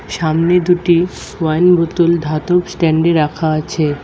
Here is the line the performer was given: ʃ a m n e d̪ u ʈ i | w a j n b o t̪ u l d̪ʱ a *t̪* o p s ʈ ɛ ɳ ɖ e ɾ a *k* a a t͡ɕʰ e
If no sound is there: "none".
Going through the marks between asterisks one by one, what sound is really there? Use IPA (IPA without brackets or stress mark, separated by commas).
t̪, kʰ